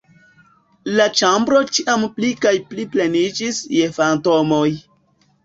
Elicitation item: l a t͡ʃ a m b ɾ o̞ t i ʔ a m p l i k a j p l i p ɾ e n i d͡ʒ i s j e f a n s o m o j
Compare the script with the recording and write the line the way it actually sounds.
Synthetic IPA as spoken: l a t͡ʃ a m b ɾ o̞ t͡ʃ i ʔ a m p l i k a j p l i p l e n i d͡ʒ i s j e f a n t o m o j

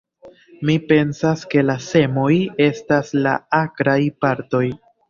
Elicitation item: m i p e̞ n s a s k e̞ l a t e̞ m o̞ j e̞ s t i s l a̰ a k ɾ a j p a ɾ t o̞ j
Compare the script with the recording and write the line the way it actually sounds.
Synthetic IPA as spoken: m i p e̞ n s a s k e̞ l a s e̞ m o̞ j e̞ s t a s l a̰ a k ɾ a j p a ɾ t o̞ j

